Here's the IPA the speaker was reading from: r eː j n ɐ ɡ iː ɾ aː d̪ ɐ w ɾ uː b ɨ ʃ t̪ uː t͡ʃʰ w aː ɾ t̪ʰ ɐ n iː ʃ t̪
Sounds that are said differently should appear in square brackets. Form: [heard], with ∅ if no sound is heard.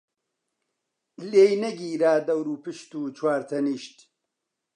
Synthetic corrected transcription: [l] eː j n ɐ ɡ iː ɾ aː d̪ ɐ w ɾ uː [p] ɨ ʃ t̪ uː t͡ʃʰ w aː ɾ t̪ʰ ɐ n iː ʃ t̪

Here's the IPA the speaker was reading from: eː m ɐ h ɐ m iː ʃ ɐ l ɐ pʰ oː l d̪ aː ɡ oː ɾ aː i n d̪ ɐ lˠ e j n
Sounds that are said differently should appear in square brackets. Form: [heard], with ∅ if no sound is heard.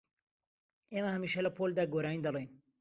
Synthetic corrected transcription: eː m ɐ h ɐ m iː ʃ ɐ l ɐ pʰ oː l d̪ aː ɡ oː ɾ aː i n d̪ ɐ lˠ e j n

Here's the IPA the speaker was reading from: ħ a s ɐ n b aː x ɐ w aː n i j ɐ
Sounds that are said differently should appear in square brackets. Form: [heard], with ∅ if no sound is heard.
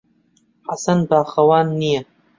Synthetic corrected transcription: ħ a s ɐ n b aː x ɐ w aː [nː] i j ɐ

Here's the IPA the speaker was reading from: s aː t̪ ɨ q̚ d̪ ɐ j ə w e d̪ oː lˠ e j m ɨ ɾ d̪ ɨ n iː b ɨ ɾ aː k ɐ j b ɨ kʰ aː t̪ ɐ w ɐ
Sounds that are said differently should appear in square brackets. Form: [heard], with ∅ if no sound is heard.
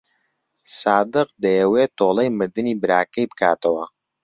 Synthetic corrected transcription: s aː [d̪] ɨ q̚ d̪ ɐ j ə w e [t̪] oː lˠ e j m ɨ ɾ d̪ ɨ n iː b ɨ ɾ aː k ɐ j b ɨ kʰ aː t̪ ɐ w ɐ

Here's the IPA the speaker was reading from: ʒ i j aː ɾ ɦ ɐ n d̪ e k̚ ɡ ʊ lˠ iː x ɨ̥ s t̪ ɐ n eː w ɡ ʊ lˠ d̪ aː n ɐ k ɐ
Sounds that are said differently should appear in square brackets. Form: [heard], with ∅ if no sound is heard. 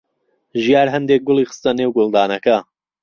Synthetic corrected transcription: ʒ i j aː ɾ ɦ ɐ n d̪ e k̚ ɡ ʊ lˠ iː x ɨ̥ s t̪ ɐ n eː w ɡ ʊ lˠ d̪ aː n ɐ k ɐ

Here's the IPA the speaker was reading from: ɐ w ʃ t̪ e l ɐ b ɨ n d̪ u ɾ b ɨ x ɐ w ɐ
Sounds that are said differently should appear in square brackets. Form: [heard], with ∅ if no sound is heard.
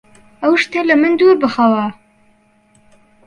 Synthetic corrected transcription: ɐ w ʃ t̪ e l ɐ [m] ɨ n d̪ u ɾ b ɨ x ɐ w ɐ

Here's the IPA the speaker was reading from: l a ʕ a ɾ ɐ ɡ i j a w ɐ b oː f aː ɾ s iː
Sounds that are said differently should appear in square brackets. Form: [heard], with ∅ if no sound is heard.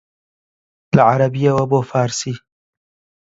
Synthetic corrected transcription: l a ʕ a ɾ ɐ [b] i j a w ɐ b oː f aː ɾ s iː

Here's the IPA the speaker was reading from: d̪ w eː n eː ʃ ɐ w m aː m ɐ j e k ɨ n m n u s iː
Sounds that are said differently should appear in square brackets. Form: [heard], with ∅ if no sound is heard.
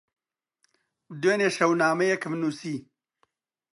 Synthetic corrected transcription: d̪ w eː n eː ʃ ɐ w [n] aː m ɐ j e k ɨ [∅] m n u s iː

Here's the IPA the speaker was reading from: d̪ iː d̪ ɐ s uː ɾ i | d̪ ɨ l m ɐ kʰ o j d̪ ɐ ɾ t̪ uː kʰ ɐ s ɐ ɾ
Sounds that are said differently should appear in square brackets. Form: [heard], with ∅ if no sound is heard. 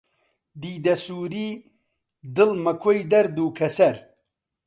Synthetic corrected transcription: d̪ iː d̪ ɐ s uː ɾ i | d̪ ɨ l m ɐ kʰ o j d̪ ɐ ɾ [d̪] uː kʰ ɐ s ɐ ɾ

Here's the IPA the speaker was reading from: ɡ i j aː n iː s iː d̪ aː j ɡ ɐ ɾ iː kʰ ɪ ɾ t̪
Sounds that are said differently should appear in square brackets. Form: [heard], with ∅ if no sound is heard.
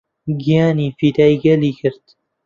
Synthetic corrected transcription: ɡ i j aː n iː [f] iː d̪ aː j ɡ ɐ [l] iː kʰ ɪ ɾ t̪

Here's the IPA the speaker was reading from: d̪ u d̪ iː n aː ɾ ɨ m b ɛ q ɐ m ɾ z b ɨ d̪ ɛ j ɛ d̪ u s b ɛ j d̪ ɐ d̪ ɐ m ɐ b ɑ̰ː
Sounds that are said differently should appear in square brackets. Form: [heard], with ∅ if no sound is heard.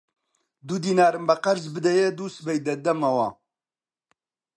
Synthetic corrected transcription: d̪ u d̪ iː n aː ɾ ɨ m b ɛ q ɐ [∅] ɾ z b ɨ d̪ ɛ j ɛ d̪ u s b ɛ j d̪ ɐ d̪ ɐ m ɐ [w] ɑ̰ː

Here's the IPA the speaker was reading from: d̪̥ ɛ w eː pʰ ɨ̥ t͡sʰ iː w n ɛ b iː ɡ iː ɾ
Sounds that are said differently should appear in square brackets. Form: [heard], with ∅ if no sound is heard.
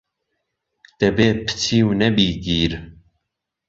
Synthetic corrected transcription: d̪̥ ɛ [b] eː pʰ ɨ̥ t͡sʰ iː w n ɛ b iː ɡ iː ɾ

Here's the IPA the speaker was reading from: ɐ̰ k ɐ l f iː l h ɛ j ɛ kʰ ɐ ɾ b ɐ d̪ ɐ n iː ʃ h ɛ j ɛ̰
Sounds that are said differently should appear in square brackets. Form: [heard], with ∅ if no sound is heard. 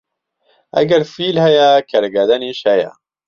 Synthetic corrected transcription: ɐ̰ [ɡ] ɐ [ɾ] f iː l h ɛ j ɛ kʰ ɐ ɾ [ɡ] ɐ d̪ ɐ n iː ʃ h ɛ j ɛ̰

